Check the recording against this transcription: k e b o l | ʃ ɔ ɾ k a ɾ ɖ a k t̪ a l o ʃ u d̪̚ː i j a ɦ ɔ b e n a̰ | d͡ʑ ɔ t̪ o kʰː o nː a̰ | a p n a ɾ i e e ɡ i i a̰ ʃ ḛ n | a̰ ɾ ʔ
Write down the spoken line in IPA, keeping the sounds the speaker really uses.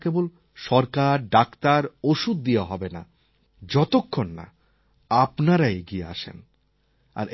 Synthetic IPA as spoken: k e b o l | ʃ ɔ ɾ k a ɾ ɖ a k t̪ a ɾ o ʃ u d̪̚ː i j a ɦ ɔ b e n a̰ | d͡ʑ ɔ t̪ o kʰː o nː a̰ | a p n a ɾ a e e ɡ i e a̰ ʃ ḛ n | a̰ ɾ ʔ